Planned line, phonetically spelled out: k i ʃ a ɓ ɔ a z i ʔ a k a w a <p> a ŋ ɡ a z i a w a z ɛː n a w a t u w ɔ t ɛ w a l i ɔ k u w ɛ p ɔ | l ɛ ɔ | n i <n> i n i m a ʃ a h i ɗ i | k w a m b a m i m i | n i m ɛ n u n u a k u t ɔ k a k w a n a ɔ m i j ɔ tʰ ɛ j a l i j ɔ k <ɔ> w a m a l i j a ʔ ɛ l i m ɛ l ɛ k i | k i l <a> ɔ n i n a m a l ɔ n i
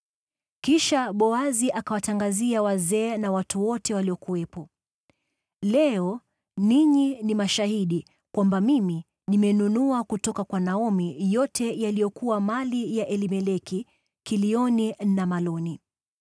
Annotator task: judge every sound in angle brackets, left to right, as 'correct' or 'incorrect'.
incorrect, incorrect, incorrect, incorrect

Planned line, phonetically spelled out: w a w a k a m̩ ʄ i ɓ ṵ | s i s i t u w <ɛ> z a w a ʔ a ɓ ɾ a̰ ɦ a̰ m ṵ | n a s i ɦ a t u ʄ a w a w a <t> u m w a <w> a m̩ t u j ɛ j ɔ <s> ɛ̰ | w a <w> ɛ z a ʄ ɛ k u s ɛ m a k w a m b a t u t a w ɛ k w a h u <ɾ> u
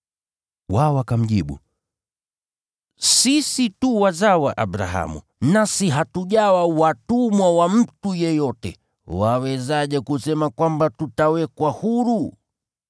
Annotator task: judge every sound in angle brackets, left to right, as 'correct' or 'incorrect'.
incorrect, correct, correct, incorrect, correct, correct

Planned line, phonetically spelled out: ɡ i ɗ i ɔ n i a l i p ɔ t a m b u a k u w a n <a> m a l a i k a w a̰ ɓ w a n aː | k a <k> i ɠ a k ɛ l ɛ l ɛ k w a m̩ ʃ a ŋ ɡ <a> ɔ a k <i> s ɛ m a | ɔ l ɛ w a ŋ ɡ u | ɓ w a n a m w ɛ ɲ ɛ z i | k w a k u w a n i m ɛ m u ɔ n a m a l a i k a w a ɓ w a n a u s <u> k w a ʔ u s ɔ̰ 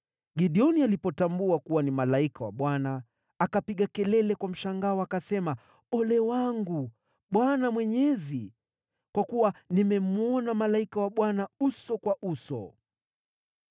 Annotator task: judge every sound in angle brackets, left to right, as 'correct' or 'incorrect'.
incorrect, incorrect, correct, incorrect, incorrect

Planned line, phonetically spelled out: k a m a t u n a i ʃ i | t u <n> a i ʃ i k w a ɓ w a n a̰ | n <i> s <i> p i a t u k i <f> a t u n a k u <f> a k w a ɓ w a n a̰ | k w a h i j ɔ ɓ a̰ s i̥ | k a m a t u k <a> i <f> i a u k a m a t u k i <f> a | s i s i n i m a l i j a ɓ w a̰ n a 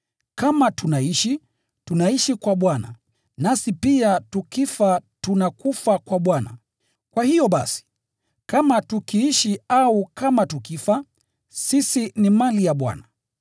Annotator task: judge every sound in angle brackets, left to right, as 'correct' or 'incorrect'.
correct, incorrect, correct, correct, correct, incorrect, incorrect, correct

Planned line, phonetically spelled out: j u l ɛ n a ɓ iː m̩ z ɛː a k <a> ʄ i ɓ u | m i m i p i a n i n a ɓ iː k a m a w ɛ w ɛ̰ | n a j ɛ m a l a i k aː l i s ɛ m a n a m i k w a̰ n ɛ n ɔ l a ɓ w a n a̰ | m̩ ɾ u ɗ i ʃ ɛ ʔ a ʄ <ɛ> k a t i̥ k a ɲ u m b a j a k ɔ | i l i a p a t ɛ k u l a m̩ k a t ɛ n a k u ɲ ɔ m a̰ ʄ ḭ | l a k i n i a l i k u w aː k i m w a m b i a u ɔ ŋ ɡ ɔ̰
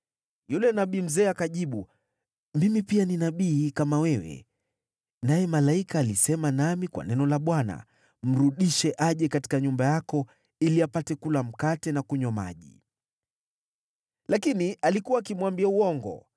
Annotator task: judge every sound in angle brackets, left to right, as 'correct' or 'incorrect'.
correct, correct

